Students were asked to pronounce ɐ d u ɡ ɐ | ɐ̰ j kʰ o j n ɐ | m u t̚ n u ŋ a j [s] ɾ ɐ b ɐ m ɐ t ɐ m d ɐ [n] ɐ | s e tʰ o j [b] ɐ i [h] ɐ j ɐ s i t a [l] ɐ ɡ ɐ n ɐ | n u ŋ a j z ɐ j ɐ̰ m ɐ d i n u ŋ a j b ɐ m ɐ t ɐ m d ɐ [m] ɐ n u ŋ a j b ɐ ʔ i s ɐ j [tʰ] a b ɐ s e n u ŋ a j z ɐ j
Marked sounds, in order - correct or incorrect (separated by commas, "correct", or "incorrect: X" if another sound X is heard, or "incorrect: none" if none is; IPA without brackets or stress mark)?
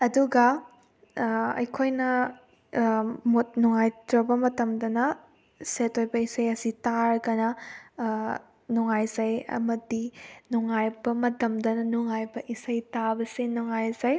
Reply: incorrect: t, correct, correct, incorrect: s, incorrect: ɾ, incorrect: n, incorrect: t